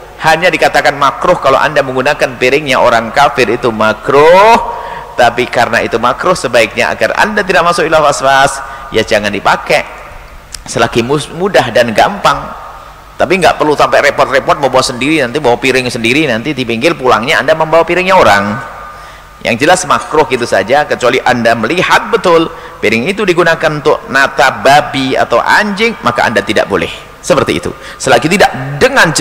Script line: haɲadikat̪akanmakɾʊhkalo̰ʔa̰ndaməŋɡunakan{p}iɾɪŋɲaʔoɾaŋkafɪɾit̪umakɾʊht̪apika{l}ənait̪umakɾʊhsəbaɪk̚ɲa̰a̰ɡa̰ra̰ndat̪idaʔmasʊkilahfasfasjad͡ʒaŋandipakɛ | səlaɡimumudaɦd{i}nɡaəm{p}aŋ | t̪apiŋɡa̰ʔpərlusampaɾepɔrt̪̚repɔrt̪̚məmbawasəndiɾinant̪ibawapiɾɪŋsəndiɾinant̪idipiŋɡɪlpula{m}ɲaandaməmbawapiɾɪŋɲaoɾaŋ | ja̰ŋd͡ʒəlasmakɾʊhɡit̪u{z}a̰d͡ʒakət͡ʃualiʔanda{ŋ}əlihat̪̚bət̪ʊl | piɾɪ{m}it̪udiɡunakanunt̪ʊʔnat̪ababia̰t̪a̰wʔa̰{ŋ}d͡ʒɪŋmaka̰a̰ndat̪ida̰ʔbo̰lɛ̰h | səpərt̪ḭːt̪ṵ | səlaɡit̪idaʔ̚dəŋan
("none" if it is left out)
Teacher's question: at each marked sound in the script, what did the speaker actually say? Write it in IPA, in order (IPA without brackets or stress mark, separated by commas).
p, ɾ, a, p, ŋ, s, m, ŋ, ɲ